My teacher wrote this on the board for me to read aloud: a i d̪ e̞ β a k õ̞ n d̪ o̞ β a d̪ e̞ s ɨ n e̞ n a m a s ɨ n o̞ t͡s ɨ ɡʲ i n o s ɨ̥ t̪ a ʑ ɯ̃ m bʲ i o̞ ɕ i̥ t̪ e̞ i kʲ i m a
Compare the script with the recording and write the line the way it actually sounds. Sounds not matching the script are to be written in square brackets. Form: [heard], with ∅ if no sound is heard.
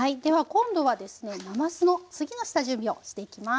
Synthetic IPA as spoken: a i d̪ e̞ β a k õ̞ n d̪ o̞ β a d̪ e̞ s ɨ n e̞ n a m a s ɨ n o̞ t͡s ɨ ɡʲ i n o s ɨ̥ t̪ a ʑ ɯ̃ m bʲ i o̞ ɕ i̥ t̪ e̞ i kʲ i m a

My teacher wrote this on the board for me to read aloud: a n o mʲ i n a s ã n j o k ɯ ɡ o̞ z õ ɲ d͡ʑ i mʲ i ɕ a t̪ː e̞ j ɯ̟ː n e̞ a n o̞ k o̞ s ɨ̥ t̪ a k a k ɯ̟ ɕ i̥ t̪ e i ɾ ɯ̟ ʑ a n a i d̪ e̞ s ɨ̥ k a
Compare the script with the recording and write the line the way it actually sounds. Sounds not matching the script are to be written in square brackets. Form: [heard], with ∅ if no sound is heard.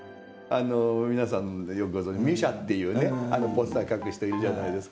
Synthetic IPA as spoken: a n o mʲ i n a s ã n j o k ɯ ɡ o̞ z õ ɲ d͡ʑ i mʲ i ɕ a t̪ː e̞ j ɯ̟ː n e̞ a n o̞ [p] o̞ s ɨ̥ t̪ a k a k ɯ̟ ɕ i̥ t̪ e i ɾ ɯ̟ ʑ a n a i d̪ e̞ s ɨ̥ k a

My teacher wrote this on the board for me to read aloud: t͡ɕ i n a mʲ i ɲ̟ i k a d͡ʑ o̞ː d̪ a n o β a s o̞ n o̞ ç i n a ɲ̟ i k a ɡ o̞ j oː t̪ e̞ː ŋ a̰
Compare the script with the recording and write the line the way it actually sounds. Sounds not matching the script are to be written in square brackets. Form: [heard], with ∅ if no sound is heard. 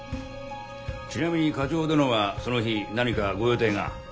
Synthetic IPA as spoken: t͡ɕ i n a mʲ i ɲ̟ i k a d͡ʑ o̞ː d̪ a n o β a s o̞ n o̞ ç i n a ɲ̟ i k a ɡ o̞ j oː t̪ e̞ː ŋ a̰

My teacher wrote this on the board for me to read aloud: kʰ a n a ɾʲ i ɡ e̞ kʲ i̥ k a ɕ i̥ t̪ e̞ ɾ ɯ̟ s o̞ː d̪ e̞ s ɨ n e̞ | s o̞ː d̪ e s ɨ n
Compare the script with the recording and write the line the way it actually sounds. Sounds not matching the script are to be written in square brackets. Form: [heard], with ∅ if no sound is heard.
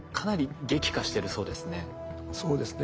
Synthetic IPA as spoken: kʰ a n a ɾʲ i ɡ e̞ kʲ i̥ k a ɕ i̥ t̪ e̞ ɾ ɯ̟ s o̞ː d̪ e̞ s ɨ n e̞ | s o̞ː d̪ e s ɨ n

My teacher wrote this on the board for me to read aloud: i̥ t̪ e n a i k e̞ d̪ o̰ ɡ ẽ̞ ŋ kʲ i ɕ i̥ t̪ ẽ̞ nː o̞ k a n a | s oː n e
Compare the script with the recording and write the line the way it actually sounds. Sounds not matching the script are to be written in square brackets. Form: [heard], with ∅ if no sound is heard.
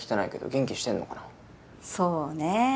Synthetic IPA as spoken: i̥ t̪ e n a i k e̞ d̪ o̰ ɡ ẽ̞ ŋ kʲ i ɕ i̥ t̪ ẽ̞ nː o̞ k a n a | s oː n e

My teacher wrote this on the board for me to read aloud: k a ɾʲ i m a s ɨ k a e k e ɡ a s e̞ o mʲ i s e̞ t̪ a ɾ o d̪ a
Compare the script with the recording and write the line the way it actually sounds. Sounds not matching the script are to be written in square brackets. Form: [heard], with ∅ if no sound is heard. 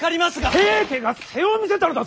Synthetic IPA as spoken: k a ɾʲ i m a s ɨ [ɡ] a e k e ɡ a s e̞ o mʲ i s e̞ t̪ a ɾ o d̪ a

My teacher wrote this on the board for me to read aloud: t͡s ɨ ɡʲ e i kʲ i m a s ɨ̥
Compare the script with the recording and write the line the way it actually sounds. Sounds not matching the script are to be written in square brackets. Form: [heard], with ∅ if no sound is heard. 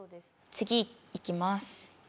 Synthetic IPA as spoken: t͡s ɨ ɡʲ [i] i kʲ i m a s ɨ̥

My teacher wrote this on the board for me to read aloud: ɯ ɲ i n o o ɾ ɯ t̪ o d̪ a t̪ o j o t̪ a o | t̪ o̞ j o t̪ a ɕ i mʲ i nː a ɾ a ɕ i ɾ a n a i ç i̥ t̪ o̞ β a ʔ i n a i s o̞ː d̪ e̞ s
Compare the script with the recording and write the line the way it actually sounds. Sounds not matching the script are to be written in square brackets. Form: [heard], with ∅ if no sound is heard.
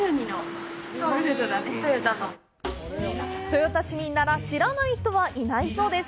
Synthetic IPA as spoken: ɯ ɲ i n o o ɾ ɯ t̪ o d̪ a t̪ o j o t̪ a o | t̪ o̞ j o t̪ a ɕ i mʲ i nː a ɾ a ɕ i ɾ a n a i ç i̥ t̪ o̞ β a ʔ i n a i s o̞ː d̪ e̞ s

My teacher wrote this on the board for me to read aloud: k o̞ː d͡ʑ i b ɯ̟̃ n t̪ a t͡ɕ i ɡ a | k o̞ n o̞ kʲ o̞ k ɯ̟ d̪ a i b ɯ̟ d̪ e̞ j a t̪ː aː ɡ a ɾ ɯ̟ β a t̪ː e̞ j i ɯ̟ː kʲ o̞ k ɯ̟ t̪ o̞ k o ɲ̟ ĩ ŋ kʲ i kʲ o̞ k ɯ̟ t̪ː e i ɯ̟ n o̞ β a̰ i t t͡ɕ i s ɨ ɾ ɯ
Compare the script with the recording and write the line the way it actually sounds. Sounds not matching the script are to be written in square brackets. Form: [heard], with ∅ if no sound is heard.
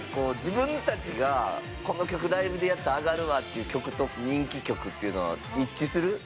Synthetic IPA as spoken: k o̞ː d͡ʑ i b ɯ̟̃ n t̪ a t͡ɕ i ɡ a | k o̞ n o̞ kʲ o̞ k ɯ̟ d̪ a i b ɯ̟ d̪ e̞ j a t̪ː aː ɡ a ɾ ɯ̟ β a t̪ː e̞ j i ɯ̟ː kʲ o̞ k ɯ̟ t̪ o̞ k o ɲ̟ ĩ ŋ kʲ i kʲ o̞ k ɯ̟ t̪ː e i ɯ̟ n o̞ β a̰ i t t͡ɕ i s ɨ ɾ ɯ

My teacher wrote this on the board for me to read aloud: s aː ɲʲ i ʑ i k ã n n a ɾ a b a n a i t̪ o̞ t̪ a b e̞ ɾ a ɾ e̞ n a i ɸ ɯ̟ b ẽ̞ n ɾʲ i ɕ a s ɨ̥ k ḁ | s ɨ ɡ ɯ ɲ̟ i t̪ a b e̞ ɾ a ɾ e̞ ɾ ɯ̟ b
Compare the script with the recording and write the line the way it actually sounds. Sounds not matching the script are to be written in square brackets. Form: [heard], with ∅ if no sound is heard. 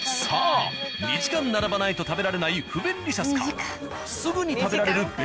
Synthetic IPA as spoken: s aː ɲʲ i ʑ i k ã n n a ɾ a b a n a i t̪ o̞ t̪ a b e̞ ɾ a ɾ e̞ n a i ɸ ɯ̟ b ẽ̞ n ɾʲ i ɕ a s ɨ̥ k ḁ | s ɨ ɡ ɯ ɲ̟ i t̪ a b e̞ ɾ a ɾ e̞ ɾ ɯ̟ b

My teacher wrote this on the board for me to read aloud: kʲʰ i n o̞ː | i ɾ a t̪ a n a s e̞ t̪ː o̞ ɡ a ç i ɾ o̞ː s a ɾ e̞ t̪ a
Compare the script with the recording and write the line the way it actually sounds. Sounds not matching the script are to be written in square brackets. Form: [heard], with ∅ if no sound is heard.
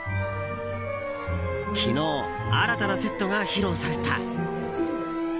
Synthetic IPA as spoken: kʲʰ i n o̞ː | [a] ɾ a t̪ a n a s e̞ t̪ː o̞ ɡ a ç i ɾ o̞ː s a ɾ e̞ t̪ a

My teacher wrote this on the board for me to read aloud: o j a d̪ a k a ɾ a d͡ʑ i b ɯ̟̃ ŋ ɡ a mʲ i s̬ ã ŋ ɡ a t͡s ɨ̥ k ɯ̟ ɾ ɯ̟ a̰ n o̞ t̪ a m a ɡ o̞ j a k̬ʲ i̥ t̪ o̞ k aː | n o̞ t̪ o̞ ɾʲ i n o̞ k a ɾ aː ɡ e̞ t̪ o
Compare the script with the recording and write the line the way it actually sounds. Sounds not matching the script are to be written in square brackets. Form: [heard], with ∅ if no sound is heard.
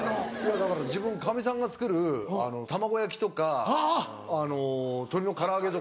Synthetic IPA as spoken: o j a d̪ a k a ɾ a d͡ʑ i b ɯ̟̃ ŋ [k] a mʲ i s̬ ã ŋ ɡ a t͡s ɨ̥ k ɯ̟ ɾ ɯ̟ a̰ n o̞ t̪ a m a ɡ o̞ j a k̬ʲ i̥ t̪ o̞ k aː | n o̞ t̪ o̞ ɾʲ i n o̞ k a ɾ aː ɡ e̞ t̪ o

